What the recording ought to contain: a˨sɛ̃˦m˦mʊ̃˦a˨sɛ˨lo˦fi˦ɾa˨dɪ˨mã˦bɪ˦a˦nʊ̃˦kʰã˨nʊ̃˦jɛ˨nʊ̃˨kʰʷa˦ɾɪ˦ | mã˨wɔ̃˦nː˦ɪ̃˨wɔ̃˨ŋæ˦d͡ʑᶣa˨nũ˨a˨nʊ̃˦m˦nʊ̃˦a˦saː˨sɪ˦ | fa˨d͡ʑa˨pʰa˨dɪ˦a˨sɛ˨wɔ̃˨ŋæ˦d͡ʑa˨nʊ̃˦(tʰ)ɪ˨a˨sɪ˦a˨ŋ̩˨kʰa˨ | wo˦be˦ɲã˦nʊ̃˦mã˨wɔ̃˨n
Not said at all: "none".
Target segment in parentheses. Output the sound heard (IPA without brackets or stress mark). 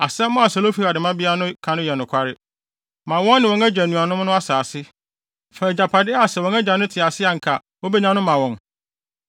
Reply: tʰ